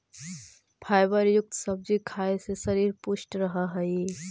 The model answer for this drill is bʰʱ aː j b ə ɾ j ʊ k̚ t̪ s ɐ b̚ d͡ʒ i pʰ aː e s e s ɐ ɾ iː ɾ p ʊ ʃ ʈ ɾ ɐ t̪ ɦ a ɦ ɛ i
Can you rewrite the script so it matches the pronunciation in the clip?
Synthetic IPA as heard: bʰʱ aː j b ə ɾ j ʊ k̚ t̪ s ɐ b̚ d͡ʒ i kʰ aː e s e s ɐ ɾ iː ɾ p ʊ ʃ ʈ ɾ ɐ ɦ a ɦ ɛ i